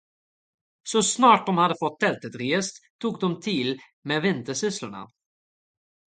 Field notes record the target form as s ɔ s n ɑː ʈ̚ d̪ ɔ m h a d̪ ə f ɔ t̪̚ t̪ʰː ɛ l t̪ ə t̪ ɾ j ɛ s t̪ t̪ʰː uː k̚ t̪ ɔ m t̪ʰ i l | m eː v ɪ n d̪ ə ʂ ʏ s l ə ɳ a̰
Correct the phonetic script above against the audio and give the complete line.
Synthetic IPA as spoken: s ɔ s n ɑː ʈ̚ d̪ ɔ m h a d̪ ə f ɔ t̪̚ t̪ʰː ɛ l t̪ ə t̪ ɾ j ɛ s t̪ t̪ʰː uː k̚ d̪ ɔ m t̪ʰ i l | m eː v ɪ n t̪ ə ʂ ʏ s l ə ɳ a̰